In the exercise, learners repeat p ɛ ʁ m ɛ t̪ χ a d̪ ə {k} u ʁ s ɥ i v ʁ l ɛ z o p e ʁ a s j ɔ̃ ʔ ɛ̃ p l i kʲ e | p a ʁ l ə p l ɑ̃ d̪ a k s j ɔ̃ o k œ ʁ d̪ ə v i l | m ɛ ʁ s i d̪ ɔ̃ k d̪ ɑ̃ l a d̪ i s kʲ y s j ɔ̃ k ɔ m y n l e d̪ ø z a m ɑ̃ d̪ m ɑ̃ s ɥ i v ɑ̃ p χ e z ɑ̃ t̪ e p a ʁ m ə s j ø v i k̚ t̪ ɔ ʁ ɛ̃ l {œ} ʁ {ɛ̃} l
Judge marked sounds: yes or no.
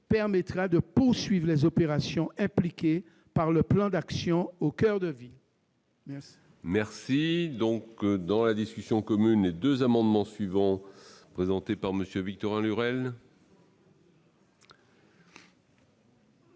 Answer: no, no, no

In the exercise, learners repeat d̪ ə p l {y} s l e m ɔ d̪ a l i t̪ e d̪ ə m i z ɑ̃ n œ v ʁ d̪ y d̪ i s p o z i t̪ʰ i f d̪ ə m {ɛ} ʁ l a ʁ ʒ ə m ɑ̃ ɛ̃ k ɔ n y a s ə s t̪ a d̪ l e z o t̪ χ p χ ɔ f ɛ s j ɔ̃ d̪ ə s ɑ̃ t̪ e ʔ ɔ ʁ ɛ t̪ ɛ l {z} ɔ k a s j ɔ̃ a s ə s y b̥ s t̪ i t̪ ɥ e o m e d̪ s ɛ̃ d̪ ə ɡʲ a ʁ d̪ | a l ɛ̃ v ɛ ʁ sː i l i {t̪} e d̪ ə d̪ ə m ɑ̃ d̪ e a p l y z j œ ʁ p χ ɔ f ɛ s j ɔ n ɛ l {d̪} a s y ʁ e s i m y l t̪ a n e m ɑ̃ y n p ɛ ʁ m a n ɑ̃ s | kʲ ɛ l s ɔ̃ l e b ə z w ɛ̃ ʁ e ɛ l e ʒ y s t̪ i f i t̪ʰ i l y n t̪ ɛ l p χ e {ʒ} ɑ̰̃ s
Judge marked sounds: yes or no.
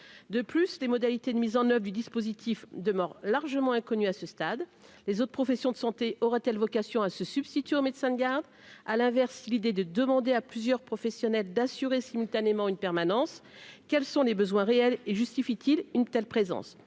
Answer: yes, no, no, no, yes, no

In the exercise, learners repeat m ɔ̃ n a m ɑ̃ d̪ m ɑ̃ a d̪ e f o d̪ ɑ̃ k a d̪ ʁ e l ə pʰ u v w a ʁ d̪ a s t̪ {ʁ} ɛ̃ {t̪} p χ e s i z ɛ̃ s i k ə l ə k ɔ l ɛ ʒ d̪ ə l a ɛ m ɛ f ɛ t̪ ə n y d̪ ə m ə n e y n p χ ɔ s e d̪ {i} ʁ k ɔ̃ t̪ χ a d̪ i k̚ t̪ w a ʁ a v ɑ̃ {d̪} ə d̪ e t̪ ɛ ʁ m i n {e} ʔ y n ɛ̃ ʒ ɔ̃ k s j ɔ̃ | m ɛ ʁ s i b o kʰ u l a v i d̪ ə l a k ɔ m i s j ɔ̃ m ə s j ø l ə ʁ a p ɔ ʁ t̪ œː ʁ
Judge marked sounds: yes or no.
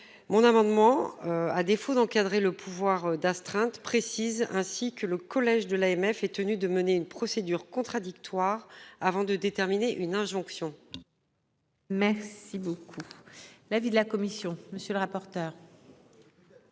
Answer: no, yes, no, yes, yes

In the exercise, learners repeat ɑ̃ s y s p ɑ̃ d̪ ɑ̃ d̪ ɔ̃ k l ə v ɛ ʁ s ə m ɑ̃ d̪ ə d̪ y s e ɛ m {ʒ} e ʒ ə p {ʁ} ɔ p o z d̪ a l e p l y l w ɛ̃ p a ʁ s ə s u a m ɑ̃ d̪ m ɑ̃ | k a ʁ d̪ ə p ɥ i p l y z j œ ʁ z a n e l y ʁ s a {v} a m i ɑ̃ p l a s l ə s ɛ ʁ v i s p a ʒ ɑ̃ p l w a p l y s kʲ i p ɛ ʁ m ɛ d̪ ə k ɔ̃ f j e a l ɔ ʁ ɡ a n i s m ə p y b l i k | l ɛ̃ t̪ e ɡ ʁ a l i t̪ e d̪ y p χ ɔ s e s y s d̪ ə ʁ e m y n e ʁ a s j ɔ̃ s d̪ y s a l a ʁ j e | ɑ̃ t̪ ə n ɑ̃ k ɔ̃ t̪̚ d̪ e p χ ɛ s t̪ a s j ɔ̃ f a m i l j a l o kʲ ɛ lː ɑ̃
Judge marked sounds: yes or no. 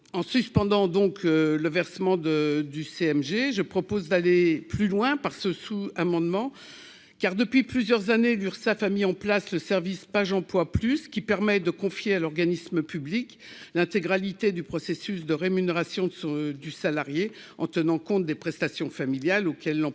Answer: yes, no, no

